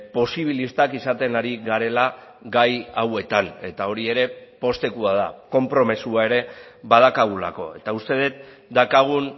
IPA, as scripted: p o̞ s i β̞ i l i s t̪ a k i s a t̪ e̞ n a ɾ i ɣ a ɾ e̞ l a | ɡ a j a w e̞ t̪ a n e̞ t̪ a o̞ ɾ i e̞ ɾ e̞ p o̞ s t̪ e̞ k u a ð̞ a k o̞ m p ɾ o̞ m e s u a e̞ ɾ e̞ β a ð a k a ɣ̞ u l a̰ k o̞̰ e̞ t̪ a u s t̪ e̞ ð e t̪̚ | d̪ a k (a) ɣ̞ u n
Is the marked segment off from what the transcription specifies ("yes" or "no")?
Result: no